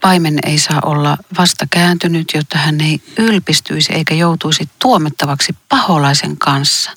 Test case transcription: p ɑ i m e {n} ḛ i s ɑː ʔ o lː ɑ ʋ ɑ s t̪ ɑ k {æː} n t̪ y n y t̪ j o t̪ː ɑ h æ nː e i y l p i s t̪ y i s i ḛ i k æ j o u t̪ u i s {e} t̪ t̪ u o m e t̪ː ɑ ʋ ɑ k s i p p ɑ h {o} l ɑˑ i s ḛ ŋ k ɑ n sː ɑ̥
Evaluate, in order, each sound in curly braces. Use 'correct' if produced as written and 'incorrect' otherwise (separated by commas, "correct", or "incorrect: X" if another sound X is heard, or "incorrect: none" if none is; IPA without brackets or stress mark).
correct, correct, incorrect: i, correct